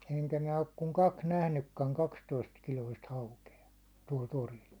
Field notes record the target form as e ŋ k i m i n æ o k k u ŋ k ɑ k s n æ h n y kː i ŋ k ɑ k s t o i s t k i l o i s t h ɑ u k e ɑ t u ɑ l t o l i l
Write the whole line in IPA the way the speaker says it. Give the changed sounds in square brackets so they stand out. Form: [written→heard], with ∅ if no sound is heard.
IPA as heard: e ŋ k [i→æ] m i n æ o k k u ŋ k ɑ k s n æ h n y kː [i→æ] ŋ k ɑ k s t o i s t k i l o i s t h ɑ u k e ɑ t u [ɑ→ɒ] l t o [l→r] i l